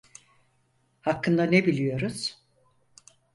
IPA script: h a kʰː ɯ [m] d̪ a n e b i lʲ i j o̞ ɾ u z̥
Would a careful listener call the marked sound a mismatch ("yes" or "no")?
yes